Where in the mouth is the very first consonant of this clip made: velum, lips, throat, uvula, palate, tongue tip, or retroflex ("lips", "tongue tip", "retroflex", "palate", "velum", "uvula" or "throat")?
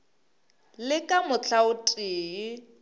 tongue tip